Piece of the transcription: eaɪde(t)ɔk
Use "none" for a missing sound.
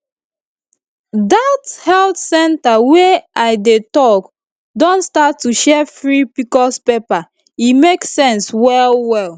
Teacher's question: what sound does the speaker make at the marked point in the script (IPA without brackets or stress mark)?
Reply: t